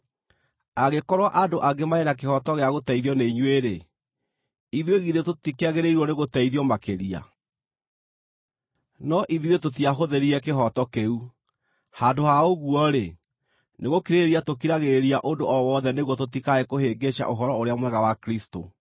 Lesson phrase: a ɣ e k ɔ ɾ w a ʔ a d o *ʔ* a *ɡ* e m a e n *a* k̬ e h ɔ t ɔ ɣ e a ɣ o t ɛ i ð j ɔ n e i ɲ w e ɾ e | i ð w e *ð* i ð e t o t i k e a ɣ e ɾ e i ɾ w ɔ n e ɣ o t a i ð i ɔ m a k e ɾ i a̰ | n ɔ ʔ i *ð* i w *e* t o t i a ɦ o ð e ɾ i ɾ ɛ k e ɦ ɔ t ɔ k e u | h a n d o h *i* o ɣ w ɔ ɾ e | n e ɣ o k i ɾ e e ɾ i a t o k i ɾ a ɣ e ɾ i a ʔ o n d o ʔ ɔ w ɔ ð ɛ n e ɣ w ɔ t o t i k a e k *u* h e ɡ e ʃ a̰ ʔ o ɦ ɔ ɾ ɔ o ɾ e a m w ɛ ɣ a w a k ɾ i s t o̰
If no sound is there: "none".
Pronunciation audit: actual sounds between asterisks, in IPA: ʔ, ɡ, a, ɣ, ð, e, a, o

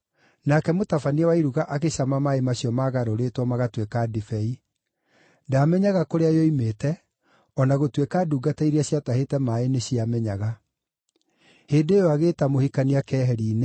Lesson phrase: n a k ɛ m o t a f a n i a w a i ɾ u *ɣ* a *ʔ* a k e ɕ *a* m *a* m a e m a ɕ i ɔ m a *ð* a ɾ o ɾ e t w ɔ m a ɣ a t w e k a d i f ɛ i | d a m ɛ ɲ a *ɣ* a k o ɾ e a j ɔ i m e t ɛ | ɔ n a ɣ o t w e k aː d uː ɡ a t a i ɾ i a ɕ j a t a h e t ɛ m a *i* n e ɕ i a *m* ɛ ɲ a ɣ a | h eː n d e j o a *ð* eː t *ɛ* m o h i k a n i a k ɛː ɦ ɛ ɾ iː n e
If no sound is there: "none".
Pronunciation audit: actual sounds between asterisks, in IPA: ɣ, ʔ, a, a, ɣ, ɣ, e, m, ɣ, a

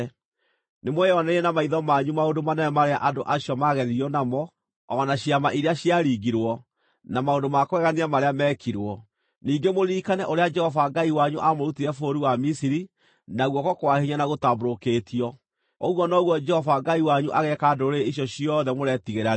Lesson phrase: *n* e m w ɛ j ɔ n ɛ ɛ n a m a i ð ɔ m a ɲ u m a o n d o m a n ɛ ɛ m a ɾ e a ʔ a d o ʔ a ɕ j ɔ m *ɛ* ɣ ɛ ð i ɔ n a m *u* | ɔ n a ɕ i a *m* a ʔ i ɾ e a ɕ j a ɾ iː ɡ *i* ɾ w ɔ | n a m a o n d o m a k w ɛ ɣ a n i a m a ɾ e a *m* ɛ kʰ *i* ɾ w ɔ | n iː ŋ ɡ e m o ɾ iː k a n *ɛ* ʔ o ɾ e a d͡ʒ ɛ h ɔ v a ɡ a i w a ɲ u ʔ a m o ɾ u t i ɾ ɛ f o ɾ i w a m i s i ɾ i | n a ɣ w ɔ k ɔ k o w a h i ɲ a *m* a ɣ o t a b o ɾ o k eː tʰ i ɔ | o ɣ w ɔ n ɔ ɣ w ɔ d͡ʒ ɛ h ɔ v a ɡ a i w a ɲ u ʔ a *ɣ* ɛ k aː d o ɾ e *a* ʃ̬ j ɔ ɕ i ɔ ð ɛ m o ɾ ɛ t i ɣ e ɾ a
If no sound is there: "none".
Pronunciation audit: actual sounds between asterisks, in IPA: n, a, ɔ, m, i, m, i, ɛ, n, ɣ, i

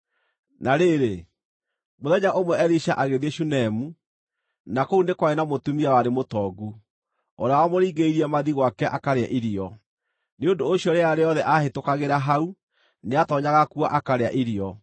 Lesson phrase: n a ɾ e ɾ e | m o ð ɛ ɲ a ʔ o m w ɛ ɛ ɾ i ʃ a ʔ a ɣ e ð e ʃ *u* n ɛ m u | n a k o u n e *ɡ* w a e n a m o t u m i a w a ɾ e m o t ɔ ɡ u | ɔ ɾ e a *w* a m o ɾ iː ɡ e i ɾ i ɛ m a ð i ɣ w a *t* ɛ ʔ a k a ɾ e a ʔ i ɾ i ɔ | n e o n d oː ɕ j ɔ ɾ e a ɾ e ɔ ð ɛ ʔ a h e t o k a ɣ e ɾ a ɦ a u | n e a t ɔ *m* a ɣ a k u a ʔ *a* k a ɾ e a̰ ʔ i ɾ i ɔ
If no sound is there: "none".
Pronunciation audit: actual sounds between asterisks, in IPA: u, k, w, k, ɲ, a

